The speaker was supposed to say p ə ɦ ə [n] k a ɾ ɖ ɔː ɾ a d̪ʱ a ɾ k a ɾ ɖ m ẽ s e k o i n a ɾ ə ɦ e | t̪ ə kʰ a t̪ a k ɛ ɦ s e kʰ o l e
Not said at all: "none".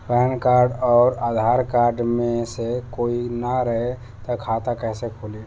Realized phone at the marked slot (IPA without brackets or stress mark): n